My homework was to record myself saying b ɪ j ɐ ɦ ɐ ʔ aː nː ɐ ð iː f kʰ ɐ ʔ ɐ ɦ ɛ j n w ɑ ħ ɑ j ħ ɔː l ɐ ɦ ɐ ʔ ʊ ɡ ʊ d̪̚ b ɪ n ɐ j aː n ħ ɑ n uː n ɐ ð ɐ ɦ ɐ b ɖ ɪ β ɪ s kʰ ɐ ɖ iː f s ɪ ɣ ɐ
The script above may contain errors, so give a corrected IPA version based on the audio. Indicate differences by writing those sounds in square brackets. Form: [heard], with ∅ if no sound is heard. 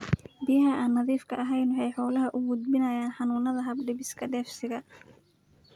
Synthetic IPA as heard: b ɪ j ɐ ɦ ɐ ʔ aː nː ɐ ð iː f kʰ ɐ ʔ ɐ ɦ ɛ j n w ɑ ħ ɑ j ħ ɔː l ɐ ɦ ɐ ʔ ʊ ɡ ʊ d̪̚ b ɪ n ɐ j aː n ħ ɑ n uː n ɐ ð ɐ ɦ ɐ b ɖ ɪ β ɪ s kʰ ɐ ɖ [ɛː] f s ɪ ɣ ɐ